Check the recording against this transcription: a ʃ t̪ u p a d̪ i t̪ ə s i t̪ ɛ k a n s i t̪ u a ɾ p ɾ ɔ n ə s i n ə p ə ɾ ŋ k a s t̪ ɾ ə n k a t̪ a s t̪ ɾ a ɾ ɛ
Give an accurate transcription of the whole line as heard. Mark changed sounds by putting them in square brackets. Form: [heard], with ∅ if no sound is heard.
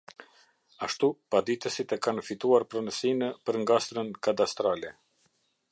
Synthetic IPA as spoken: a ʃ t̪ u p a d̪ i t̪ ə s i t̪ ɛ k a n [f] i t̪ u a ɾ p ɾ ɔ n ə s i n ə p ə ɾ ŋ [ɡ] a s t̪ ɾ ə n k a [d̪] a s t̪ ɾ a [l] ɛ